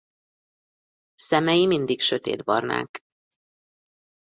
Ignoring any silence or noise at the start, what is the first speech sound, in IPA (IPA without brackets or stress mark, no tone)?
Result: s